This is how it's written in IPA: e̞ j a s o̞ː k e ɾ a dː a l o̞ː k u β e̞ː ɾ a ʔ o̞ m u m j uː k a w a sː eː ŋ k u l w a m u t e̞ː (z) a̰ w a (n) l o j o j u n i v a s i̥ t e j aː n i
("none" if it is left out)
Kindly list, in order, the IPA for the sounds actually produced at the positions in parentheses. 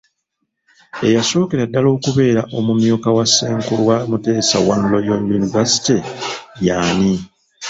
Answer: s, n

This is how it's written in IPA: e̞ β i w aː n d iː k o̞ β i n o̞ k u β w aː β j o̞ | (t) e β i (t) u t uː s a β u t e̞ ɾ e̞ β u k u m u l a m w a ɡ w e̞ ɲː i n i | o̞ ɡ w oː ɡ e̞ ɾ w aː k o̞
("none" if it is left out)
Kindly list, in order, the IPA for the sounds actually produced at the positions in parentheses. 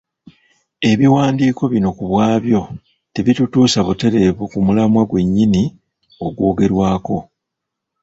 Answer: t, t

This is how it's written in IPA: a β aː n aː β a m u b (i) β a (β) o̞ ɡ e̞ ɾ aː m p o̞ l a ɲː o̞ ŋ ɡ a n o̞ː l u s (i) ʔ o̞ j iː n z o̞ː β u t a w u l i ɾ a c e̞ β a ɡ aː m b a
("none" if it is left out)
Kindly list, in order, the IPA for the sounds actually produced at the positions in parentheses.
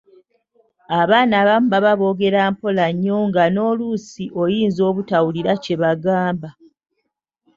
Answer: a, β, i

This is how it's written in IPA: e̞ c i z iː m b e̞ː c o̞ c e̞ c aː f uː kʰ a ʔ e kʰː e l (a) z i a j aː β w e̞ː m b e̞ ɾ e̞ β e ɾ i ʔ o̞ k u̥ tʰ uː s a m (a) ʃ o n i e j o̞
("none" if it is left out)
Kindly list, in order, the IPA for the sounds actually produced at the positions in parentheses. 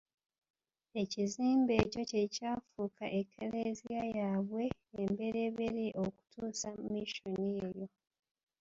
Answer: e, i

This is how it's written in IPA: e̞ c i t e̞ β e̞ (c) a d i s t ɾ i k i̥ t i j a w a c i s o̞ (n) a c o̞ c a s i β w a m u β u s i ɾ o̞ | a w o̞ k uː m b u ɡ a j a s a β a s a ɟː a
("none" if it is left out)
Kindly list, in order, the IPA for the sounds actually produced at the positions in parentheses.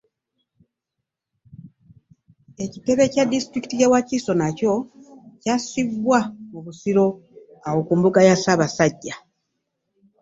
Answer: c, n

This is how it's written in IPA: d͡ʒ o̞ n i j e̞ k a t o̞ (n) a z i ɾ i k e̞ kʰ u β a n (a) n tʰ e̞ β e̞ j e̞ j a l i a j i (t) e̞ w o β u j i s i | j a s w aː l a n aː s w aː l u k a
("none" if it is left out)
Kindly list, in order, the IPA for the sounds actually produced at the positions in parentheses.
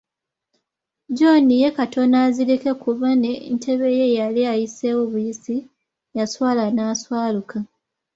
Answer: n, e, s

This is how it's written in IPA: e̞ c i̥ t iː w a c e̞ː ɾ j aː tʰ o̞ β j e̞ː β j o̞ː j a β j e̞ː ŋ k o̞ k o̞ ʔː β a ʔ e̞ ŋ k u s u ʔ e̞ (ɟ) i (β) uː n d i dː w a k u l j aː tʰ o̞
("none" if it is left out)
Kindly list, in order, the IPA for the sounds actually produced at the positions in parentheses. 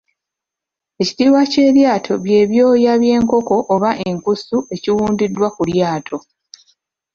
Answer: c, w

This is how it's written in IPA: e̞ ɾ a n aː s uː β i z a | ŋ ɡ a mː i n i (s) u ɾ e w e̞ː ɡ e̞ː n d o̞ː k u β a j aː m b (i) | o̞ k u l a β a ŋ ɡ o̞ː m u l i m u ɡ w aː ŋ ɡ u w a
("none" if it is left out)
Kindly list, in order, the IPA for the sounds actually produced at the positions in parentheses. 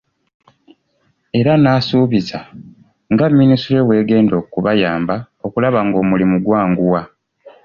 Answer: s, a

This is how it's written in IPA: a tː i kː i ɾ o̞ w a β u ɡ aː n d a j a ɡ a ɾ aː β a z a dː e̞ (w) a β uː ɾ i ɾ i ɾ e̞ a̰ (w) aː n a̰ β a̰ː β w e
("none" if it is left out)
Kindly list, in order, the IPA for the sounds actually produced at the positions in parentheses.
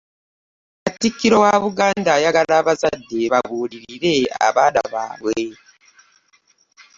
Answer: β, β

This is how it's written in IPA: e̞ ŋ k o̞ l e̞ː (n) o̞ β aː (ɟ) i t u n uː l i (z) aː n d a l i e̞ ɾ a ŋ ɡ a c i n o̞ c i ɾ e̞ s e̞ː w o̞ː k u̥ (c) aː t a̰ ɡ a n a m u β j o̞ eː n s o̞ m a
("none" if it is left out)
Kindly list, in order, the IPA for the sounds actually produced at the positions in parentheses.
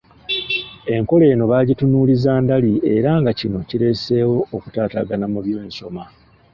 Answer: n, ɟ, z, t

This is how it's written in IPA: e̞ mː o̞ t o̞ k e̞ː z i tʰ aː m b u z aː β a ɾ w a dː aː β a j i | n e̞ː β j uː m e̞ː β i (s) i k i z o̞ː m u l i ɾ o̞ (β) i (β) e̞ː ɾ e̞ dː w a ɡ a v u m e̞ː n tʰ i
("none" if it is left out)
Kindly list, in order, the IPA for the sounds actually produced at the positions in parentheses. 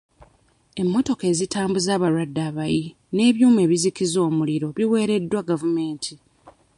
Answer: z, β, w

